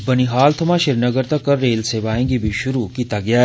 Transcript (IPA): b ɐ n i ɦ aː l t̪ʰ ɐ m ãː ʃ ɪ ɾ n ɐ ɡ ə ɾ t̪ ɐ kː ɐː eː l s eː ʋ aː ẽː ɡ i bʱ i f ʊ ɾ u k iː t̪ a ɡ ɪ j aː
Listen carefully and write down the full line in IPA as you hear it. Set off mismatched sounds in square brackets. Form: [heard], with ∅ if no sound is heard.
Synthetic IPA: b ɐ n i ɦ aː l t̪ʰ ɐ m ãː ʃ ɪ ɾ n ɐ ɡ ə ɾ t̪ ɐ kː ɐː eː l s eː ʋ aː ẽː ɡ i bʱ i [ʃ] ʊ ɾ u k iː t̪ a ɡ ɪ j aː